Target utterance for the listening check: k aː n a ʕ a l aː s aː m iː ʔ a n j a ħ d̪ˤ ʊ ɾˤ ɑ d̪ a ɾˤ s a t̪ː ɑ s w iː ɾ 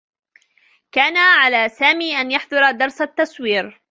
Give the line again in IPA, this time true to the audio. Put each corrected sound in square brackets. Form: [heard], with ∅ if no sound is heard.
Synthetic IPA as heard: k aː n a ʕ a l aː s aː m iː ʔ a n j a ħ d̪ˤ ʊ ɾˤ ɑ d̪ [ɑ] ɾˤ s a t̪ː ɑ s w iː ɾ